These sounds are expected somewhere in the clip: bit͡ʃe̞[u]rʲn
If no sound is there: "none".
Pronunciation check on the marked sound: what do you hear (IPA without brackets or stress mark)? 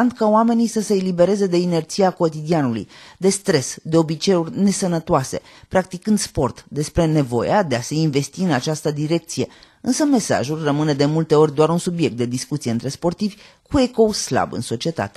u